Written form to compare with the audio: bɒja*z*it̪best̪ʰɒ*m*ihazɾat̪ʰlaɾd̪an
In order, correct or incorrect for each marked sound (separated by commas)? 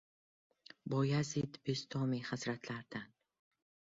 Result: correct, correct